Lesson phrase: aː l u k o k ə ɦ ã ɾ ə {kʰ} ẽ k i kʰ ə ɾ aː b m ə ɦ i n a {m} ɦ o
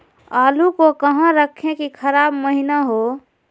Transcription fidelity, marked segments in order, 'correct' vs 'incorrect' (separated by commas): correct, incorrect